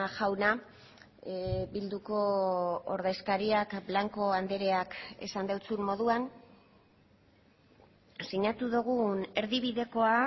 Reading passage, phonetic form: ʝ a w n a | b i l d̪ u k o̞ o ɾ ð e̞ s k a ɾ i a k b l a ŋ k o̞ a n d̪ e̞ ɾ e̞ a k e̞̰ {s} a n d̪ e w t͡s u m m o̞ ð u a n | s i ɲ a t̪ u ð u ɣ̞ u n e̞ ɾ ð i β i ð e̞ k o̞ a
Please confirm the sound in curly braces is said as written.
yes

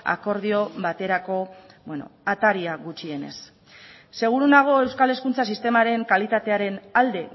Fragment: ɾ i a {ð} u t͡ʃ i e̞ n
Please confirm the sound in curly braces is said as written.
no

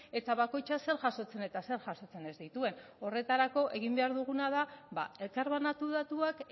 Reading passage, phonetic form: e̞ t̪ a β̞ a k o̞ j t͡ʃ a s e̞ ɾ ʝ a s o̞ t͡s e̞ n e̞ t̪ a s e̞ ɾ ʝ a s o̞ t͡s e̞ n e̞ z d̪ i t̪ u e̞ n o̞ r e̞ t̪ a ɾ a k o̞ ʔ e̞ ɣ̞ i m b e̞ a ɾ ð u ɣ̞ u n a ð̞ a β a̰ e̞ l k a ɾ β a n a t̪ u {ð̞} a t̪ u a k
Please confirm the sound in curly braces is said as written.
yes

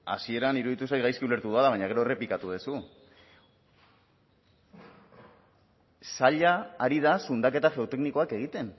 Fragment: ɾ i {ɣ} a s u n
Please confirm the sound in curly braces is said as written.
no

